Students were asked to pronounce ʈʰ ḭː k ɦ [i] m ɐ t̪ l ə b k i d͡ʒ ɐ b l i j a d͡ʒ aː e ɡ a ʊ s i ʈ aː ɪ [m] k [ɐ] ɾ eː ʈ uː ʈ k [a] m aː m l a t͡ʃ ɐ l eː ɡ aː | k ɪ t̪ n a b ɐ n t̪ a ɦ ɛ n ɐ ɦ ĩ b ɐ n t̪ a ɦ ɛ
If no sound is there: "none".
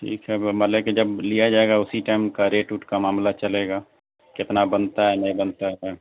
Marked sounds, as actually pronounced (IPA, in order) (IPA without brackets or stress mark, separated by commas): ɛ, m, a, a